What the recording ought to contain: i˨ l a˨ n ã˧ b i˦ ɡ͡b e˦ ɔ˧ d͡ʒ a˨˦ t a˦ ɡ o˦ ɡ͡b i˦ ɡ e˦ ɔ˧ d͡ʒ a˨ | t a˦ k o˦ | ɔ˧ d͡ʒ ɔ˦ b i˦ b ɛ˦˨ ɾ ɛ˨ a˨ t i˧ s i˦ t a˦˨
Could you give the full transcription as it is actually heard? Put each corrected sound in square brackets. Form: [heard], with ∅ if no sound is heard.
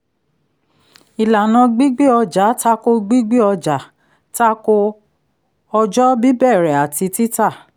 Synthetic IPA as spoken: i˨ l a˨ n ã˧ [ɡ͡b] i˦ ɡ͡b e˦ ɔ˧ d͡ʒ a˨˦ t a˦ [k] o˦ ɡ͡b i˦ [ɡ͡b] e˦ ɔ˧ d͡ʒ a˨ | t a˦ k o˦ | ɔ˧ d͡ʒ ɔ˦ b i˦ b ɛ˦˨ ɾ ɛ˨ a˨ t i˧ [t] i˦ t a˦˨